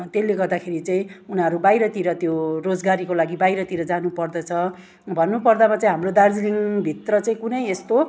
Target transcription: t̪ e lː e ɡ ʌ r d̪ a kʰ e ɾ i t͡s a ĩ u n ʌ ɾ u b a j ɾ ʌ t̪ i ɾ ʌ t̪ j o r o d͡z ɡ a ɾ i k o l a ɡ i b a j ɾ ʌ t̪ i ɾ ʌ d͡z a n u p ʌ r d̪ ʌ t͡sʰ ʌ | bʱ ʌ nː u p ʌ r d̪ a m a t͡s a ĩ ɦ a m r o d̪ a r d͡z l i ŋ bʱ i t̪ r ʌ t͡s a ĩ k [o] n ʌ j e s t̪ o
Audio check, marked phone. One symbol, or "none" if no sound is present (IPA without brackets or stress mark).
u